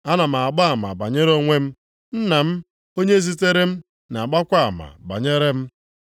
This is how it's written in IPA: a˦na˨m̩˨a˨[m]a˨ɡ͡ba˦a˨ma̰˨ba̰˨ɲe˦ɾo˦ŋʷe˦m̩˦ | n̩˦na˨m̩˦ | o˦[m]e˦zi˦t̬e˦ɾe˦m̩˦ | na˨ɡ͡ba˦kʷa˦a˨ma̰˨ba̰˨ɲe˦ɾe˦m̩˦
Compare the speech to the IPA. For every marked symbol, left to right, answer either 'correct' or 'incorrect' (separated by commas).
incorrect, incorrect